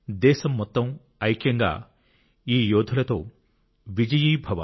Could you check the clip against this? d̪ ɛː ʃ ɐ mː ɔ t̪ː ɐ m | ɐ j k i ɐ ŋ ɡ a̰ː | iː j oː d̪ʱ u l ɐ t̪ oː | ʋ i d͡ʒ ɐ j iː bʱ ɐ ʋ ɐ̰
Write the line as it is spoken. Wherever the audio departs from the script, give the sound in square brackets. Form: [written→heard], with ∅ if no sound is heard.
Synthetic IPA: d̪ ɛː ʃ ɐ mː ɔ t̪ː ɐ m | ɐ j k [i→j] ɐ ŋ ɡ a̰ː | iː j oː d̪ʱ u l ɐ t̪ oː | ʋ i d͡ʒ ɐ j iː bʱ ɐ ʋ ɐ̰